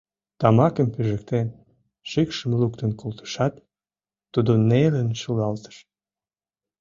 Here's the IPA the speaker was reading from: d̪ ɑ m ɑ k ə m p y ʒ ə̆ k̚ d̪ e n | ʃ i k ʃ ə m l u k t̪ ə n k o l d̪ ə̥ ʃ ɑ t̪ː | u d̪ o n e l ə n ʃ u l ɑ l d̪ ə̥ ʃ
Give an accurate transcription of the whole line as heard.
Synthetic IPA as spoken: t̪ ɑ m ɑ k ə m p y ʒ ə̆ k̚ t̪ e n | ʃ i k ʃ ə m l u k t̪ ə n k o l t̪ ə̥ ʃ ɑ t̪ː | u d̪ o n e l ə n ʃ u l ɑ l t̪ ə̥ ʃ